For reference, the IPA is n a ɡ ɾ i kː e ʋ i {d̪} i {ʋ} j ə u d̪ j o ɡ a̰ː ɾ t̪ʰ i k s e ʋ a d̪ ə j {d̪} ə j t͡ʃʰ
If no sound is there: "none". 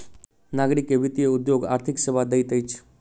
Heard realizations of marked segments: t̪, none, t̪

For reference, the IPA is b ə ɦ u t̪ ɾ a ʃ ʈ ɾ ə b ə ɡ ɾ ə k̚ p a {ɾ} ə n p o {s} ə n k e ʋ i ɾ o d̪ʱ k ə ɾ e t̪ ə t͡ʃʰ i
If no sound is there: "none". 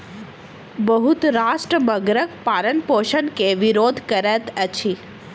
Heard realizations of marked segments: ɾ, ʃ

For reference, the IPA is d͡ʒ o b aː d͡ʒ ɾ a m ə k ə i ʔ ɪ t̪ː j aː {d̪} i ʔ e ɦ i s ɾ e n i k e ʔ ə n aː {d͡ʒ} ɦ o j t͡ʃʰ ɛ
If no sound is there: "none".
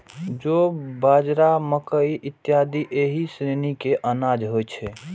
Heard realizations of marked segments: d̪, d͡ʒ

